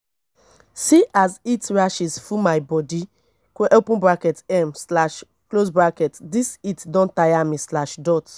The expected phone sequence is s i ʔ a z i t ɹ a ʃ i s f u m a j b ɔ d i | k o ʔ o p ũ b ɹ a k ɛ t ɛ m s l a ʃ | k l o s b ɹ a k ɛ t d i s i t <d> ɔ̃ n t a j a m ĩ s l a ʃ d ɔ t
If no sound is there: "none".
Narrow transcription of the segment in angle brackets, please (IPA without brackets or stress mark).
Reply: d